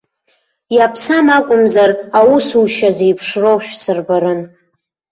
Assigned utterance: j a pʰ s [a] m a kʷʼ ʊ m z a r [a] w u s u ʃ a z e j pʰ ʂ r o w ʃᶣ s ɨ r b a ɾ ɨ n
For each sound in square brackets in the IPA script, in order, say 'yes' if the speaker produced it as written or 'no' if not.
yes, yes

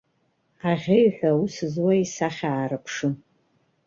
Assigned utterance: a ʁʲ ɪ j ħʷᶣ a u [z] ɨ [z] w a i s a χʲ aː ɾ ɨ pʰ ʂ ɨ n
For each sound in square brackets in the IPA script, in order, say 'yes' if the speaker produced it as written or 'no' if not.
no, yes

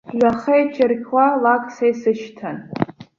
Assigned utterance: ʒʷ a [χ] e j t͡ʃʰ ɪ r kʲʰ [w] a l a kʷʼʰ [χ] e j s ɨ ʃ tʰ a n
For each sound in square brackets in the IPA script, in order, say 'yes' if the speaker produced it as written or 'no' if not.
yes, yes, no

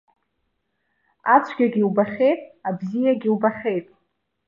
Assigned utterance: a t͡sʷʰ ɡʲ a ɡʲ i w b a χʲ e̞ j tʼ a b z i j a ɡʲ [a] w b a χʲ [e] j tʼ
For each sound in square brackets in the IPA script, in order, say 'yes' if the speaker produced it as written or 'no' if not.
no, yes

